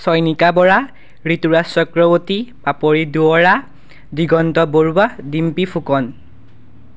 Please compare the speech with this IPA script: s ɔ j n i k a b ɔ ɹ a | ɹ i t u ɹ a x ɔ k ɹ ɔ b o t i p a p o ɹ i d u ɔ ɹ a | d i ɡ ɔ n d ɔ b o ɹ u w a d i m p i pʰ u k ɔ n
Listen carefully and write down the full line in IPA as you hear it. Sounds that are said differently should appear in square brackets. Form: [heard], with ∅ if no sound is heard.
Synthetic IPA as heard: s ɔ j n i k a b ɔ ɹ a | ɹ i t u ɹ a [s] ɔ k ɹ ɔ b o t i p a p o ɹ i d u ɔ ɹ a | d i ɡ ɔ n [t] ɔ b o ɹ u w a d i m p i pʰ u k ɔ n